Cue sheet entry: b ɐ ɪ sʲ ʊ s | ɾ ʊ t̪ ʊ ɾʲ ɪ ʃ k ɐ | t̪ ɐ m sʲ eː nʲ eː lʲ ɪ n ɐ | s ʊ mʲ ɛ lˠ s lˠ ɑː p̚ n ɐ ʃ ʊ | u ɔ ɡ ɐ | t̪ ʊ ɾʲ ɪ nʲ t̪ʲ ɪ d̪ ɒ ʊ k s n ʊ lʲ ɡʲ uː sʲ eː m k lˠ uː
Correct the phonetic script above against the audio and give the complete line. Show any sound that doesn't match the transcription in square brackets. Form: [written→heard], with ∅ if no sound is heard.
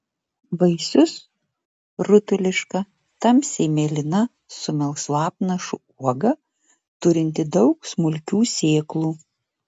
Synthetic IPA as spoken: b ɐ ɪ sʲ ʊ s | ɾ ʊ t̪ ʊ [ɾʲ→lʲ] ɪ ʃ k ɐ | t̪ ɐ m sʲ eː [nʲ→mʲ] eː lʲ ɪ n ɐ | s ʊ mʲ ɛ lˠ s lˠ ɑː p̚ n ɐ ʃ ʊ | u ɔ ɡ ɐ | t̪ ʊ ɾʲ ɪ nʲ t̪ʲ ɪ d̪ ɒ ʊ k s [n→m] ʊ lʲ [ɡʲ→kʲ] uː sʲ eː [m→∅] k lˠ uː